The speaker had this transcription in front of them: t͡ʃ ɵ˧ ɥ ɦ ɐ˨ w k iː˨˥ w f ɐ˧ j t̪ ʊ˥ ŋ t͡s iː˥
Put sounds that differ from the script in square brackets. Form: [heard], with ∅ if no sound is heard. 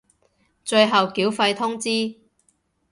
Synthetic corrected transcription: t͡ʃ ɵ˧ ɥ ɦ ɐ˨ w k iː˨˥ w f ɐ˧ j [t̪ʰ] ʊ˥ ŋ t͡s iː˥